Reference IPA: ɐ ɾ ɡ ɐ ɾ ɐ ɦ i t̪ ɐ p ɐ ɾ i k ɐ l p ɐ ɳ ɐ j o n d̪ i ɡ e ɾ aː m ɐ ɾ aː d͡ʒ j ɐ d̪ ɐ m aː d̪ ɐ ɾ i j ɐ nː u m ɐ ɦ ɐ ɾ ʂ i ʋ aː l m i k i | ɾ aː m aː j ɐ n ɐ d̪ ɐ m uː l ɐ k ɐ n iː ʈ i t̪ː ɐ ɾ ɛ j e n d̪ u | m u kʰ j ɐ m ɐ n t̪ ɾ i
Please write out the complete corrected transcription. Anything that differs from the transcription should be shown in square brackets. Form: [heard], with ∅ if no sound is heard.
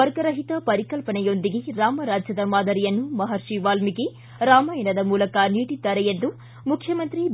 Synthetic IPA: ɐ ɾ ɡ ɐ ɾ ɐ ɦ i t̪ ɐ p ɐ ɾ i k ɐ l p ɐ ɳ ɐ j o n d̪ i ɡ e ɾ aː m ɐ ɾ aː d͡ʒ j ɐ d̪ ɐ m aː d̪ ɐ ɾ i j ɐ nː u m ɐ ɦ ɐ ɾ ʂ i ʋ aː l m i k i | ɾ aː m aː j ɐ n ɐ d̪ ɐ m uː l ɐ k ɐ n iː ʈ i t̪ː ɐ ɾ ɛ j e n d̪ u | m u kʰ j ɐ m ɐ n t̪ ɾ i

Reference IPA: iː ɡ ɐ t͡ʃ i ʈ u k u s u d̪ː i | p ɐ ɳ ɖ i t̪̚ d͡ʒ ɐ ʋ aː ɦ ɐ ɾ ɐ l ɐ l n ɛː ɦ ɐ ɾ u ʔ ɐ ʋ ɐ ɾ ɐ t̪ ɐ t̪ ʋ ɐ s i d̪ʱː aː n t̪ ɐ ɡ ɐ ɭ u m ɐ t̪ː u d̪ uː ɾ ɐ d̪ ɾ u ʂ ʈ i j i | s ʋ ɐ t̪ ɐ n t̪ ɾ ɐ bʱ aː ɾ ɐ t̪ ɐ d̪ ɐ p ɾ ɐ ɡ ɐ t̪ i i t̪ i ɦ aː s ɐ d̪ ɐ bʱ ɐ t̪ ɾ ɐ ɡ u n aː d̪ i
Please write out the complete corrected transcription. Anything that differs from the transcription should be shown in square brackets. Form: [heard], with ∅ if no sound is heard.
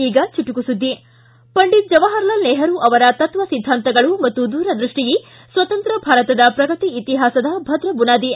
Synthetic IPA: iː ɡ ɐ t͡ʃ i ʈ u k u s u d̪ː i | p ɐ ɳ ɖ i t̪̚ d͡ʒ ɐ ʋ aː ɦ ɐ ɾ ɐ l ɐ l n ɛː ɦ ɐ ɾ u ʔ ɐ ʋ ɐ ɾ ɐ t̪ ɐ t̪ ʋ ɐ s i d̪ʱː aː n t̪ ɐ ɡ ɐ ɭ u m ɐ t̪ː u d̪ uː ɾ ɐ d̪ ɾ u ʂ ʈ i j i | s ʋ ɐ t̪ ɐ n t̪ ɾ ɐ bʱ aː ɾ ɐ t̪ ɐ d̪ ɐ p ɾ ɐ ɡ ɐ t̪ i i t̪ i ɦ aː s ɐ d̪ ɐ bʱ ɐ [d̪] ɾ ɐ [b] u n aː d̪ i

